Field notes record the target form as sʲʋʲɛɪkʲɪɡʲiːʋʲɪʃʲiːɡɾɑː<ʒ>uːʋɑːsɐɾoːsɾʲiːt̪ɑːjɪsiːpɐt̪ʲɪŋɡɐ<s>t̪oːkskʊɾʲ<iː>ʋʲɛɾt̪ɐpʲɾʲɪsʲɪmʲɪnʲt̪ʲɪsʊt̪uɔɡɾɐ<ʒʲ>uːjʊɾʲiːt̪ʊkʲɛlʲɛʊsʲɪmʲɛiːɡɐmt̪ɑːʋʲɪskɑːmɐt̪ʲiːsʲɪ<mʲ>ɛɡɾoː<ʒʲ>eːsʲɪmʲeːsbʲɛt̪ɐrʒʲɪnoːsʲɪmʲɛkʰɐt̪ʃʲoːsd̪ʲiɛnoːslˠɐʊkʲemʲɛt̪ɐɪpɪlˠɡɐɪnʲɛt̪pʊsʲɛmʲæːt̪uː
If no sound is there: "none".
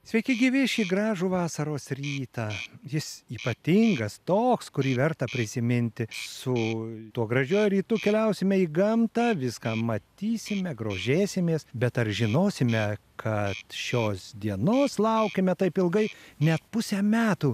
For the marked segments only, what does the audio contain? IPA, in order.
ʒ, s, iː, ʒʲ, mʲ, ʒʲ

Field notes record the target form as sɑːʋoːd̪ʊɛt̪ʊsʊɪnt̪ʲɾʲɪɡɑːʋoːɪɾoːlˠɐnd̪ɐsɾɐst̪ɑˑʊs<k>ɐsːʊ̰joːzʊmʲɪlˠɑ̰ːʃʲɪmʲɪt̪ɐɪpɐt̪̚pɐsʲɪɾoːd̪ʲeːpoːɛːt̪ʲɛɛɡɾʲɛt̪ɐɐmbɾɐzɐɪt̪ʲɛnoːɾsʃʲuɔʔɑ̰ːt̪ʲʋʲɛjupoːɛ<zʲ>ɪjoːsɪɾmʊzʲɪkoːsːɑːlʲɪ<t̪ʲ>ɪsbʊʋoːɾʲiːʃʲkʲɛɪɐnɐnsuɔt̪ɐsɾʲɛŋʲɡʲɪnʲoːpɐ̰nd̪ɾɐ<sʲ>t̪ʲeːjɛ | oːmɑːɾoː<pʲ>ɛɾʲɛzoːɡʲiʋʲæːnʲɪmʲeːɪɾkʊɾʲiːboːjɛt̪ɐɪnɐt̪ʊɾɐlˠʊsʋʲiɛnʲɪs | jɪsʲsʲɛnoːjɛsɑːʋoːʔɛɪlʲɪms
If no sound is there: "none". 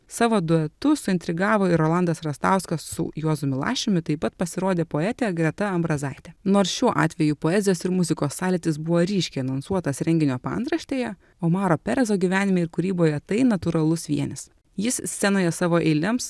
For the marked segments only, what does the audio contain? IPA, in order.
k, zʲ, t̪ʲ, ʃʲ, pʲ

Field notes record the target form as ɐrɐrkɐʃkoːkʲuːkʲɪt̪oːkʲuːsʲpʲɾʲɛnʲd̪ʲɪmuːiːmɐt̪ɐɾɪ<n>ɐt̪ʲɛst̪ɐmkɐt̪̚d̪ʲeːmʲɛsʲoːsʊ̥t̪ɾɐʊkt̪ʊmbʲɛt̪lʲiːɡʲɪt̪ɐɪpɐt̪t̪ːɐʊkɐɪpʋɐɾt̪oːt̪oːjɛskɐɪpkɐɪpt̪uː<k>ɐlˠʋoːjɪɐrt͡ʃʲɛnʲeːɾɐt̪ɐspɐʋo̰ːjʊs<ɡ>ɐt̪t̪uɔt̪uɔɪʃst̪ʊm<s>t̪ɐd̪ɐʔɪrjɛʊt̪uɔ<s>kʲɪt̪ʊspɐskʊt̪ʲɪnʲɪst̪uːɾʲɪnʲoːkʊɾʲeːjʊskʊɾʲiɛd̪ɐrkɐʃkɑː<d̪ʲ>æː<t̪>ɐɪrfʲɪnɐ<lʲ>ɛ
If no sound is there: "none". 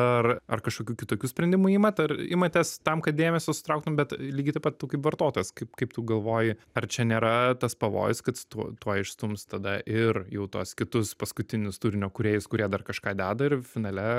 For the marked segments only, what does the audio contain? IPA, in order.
m, ɡ, k, s, s, d̪ʲ, d̪, lʲ

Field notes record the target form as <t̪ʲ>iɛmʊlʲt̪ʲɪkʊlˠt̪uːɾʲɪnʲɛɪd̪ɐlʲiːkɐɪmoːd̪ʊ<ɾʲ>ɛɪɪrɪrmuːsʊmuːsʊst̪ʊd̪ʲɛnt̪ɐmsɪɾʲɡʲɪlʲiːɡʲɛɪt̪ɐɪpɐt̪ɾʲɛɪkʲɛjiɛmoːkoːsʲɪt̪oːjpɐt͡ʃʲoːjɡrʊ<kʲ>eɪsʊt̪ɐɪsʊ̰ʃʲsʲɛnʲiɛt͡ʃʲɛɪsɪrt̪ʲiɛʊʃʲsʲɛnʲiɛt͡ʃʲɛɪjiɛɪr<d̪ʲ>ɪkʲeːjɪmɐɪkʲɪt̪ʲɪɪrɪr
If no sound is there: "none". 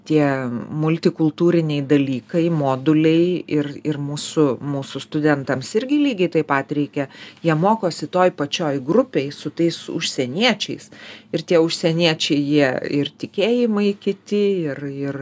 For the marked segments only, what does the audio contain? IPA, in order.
t̪ʲ, lʲ, pʲ, t̪ʲ

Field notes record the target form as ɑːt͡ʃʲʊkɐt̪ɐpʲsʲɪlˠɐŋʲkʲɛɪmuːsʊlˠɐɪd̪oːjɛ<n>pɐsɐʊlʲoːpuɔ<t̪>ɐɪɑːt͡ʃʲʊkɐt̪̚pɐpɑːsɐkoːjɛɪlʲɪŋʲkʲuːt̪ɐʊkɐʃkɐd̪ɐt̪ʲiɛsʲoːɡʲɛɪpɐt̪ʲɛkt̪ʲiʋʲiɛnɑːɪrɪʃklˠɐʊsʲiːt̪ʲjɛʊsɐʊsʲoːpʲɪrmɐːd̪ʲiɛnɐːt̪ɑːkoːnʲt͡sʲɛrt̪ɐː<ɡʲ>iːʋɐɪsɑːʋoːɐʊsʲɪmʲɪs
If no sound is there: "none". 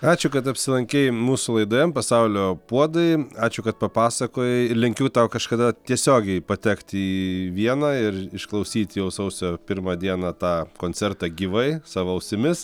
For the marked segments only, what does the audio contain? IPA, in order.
m, d̪, ɡʲ

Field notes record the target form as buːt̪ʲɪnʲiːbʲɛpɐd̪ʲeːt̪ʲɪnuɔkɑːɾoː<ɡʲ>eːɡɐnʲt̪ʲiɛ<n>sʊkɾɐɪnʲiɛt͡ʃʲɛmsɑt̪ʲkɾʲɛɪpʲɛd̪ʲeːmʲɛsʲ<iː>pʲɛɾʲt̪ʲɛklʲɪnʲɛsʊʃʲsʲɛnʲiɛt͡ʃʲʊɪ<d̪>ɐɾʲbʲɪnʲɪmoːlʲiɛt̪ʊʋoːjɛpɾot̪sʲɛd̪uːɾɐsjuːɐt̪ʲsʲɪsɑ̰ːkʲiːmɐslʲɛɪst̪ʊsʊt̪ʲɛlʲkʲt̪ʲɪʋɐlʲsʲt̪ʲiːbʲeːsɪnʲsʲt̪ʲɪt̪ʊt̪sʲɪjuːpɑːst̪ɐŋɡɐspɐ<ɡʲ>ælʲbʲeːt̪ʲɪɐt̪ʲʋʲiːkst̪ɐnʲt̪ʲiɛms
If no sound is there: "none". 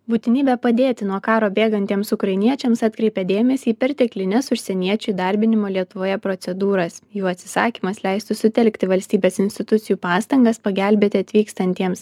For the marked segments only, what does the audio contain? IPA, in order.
bʲ, m, iː, d̪, ɡʲ

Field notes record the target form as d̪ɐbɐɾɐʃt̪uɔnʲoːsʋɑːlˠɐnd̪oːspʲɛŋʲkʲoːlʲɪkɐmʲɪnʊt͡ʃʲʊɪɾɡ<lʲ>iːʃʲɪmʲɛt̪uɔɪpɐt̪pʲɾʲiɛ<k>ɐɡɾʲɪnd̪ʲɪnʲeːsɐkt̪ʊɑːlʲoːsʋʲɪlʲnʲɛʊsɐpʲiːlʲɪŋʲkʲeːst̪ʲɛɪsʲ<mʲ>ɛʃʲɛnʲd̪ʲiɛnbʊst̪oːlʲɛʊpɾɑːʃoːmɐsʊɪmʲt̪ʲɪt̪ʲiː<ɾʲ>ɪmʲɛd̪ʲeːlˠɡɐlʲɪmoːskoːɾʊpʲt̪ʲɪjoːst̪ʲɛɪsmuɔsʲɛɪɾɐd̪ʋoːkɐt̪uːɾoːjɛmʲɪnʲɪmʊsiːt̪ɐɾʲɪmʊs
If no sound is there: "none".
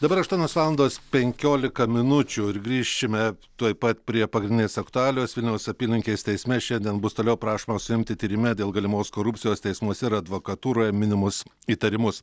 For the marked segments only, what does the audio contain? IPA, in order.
ɾʲ, p, mʲ, ɾʲ

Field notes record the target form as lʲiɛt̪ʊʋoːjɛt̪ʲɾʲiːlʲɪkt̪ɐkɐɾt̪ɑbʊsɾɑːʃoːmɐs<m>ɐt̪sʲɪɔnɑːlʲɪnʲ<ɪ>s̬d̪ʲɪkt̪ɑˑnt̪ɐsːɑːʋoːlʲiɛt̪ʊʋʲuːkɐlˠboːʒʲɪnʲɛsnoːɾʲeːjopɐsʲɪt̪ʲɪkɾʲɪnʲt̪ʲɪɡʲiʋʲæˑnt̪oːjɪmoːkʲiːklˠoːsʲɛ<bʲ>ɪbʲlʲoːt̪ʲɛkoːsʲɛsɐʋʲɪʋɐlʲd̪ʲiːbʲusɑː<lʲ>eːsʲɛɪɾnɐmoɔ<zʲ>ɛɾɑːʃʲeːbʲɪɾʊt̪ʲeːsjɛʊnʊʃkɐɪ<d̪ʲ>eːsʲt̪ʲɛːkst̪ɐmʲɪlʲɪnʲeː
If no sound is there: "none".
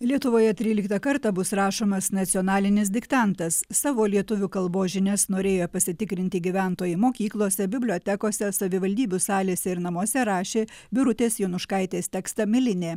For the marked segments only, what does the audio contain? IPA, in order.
n, ɪ, bʲ, lʲ, sʲ, t̪ʲ

